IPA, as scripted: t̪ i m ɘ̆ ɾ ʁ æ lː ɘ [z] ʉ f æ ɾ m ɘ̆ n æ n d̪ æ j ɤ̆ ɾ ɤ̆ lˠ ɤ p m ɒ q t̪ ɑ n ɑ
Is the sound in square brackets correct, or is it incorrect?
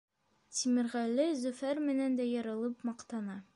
correct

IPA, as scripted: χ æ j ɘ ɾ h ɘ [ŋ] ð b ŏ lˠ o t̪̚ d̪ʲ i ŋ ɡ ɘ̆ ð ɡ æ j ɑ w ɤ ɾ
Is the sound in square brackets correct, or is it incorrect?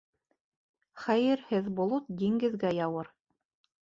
incorrect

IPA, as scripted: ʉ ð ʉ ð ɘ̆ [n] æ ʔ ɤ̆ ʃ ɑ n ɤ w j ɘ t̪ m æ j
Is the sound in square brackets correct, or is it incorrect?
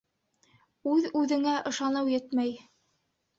incorrect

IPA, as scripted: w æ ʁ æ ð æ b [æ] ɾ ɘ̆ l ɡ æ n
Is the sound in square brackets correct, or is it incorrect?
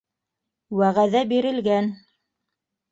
incorrect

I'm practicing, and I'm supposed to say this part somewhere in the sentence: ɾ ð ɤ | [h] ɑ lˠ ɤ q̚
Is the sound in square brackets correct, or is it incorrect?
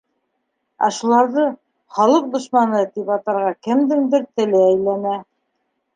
incorrect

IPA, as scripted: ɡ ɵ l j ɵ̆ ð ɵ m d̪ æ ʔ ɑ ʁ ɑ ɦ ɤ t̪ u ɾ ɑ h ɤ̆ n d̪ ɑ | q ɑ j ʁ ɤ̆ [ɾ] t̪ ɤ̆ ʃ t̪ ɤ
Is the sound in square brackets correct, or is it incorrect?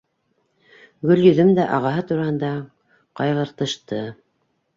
correct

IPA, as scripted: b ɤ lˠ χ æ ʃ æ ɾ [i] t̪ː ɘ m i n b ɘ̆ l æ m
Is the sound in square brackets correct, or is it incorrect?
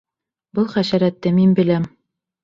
incorrect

